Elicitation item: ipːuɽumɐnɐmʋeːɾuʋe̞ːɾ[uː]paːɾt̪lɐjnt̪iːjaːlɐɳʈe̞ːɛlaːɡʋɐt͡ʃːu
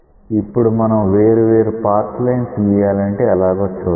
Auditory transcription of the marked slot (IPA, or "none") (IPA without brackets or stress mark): u